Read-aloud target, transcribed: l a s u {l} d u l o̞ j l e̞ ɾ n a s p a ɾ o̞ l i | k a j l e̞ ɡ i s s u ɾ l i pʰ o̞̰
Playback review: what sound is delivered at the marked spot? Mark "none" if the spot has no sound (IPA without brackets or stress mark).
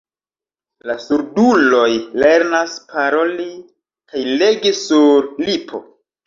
ɾ